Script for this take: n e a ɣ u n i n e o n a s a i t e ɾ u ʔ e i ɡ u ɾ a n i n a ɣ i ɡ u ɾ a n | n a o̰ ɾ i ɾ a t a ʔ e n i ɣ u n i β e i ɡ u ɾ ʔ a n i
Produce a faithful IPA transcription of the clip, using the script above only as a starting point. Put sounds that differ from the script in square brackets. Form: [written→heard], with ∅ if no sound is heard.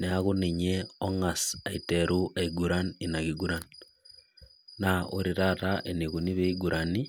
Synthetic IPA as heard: n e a ɣ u n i [n→ɲ] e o [n→ŋ] a s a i t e ɾ u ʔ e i ɡ u ɾ a n i n a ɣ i ɡ u ɾ a n | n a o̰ ɾ i ɾ a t a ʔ e n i ɣ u n i β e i ɡ u ɾ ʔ a n i